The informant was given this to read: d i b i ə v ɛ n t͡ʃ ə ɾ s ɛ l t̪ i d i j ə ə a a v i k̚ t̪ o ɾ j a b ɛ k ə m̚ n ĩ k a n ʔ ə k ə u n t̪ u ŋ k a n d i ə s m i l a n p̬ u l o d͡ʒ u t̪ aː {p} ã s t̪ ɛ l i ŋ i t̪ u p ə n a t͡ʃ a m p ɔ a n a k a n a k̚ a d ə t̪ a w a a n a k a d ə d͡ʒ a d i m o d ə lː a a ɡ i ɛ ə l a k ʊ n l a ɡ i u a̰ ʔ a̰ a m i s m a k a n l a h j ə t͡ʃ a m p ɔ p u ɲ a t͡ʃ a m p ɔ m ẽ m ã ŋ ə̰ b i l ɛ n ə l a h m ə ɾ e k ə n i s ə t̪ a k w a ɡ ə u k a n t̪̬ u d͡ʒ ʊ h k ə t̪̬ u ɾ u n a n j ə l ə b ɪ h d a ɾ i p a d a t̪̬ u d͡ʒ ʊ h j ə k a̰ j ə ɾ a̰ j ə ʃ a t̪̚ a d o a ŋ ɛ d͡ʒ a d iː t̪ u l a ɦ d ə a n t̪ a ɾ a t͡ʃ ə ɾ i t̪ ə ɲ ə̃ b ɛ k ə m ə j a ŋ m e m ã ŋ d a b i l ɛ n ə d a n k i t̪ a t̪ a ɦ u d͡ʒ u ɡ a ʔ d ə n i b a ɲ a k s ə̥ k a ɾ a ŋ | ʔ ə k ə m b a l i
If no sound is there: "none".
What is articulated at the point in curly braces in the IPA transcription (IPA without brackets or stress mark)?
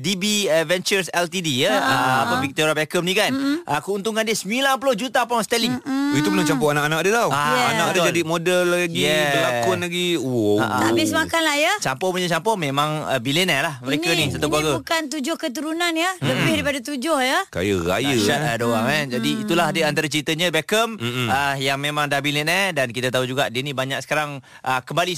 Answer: p